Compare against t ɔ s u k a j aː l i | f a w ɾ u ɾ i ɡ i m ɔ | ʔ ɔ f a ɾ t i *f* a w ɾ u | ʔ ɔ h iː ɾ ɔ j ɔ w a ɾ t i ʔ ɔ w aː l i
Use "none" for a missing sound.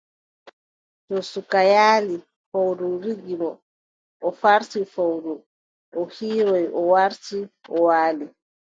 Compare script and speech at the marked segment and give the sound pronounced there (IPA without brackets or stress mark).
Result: f